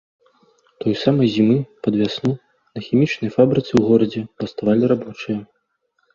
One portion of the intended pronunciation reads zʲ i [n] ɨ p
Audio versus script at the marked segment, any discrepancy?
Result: yes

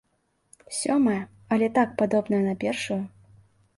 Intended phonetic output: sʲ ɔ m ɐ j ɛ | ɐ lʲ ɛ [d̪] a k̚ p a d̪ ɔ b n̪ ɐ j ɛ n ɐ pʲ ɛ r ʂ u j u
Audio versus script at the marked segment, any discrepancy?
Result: yes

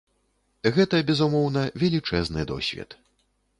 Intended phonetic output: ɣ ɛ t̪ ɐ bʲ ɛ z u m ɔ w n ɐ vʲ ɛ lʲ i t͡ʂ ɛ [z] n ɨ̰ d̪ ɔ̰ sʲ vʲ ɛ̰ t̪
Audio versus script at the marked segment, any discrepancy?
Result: no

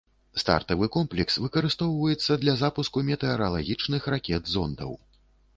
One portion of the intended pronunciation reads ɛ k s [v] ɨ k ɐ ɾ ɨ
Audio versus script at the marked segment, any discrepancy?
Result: no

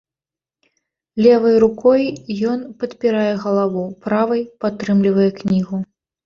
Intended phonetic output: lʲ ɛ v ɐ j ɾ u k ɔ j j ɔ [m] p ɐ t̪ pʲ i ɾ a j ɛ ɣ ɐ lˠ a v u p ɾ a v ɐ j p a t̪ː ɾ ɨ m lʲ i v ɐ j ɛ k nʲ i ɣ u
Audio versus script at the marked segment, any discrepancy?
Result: yes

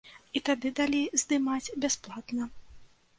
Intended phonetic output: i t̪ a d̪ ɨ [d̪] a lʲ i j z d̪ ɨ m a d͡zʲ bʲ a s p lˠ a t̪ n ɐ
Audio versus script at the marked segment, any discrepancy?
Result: no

